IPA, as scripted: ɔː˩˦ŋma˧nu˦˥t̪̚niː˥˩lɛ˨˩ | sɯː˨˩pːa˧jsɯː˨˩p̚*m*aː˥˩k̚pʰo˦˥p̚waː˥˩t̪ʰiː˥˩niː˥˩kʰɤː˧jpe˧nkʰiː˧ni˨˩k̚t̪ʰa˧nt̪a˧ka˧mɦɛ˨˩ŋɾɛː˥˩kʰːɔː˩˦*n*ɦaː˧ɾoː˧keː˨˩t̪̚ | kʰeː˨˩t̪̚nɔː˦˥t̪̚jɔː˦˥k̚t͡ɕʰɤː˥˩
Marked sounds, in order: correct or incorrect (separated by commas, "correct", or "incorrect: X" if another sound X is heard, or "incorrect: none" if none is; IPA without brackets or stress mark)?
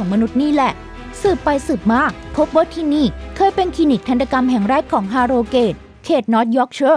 correct, incorrect: ŋ